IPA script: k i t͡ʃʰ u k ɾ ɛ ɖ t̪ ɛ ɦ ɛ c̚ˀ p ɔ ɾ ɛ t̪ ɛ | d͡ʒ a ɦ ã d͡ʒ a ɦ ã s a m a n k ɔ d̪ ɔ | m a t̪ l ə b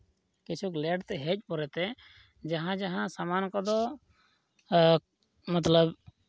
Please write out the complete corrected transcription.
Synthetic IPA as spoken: k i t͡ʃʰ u k l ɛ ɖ t̪ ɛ ɦ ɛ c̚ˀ p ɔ ɾ ɛ t̪ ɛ | d͡ʒ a ɦ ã d͡ʒ a ɦ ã s a m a n k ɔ d̪ ɔ | m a t̪ l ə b